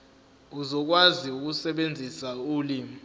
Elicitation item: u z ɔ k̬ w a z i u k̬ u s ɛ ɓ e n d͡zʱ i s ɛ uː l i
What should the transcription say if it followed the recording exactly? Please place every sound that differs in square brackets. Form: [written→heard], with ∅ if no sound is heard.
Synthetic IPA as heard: u z ɔ k̬ w a z i u k̬ u s ɛ ɓ e n d͡zʱ i s [ɛ→a] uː l i